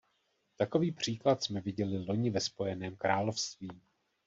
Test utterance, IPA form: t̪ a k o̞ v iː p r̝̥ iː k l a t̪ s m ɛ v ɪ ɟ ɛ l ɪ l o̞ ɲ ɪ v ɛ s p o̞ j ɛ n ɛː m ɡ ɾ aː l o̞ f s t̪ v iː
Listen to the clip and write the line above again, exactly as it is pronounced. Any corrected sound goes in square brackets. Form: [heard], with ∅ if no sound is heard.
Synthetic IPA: t̪ a k o̞ v iː p r̝̥ iː k l a t̪ s m ɛ v ɪ ɟ ɛ l ɪ l o̞ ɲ ɪ v ɛ s p o̞ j ɛ n ɛː m [k] ɾ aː l o̞ f s t̪ v iː